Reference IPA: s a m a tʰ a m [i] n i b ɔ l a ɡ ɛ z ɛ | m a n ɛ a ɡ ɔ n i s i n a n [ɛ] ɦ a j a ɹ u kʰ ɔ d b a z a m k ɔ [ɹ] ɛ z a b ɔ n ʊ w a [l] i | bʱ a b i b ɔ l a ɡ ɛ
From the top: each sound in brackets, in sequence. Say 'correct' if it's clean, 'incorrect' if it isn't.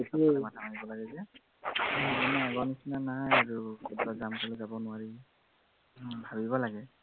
incorrect: a, incorrect: a, incorrect: l, incorrect: ɹ

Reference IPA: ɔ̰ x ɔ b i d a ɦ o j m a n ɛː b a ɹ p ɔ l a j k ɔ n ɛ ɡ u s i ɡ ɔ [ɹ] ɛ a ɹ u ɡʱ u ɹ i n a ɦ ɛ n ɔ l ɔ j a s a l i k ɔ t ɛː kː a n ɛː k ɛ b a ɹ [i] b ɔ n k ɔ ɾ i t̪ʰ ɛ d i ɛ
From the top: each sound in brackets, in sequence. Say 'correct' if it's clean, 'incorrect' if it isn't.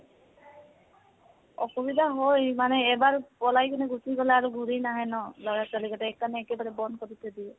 incorrect: l, incorrect: ɛ

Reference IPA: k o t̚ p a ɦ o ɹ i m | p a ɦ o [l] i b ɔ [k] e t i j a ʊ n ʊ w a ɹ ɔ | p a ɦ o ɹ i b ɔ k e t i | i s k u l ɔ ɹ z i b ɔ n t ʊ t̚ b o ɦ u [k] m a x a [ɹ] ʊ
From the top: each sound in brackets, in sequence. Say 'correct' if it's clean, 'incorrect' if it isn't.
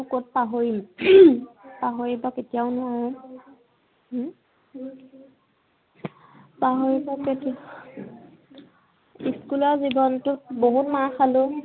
incorrect: ɹ, correct, incorrect: t, incorrect: l

